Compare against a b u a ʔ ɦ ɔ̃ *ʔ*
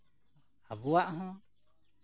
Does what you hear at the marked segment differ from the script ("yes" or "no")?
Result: yes